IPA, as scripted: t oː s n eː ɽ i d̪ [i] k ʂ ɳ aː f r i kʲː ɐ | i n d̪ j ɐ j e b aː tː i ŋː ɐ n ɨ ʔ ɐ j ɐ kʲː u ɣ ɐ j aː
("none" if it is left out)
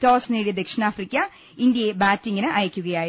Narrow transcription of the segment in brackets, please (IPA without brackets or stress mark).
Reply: e